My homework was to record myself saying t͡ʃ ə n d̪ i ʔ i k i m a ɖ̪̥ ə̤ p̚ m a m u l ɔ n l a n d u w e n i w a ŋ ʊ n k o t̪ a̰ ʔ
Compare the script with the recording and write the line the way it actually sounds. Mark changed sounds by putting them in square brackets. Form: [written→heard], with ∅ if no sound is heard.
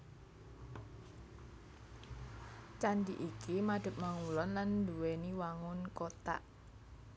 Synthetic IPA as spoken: t͡ʃ [ə→a] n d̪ i ʔ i k i m a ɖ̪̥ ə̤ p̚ m a [m→ŋ] u l ɔ n l a n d u w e n i w a ŋ ʊ n k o t̪ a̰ ʔ